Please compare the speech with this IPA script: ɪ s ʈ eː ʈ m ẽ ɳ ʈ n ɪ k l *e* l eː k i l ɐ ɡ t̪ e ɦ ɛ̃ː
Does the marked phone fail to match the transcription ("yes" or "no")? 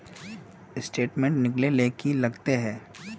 no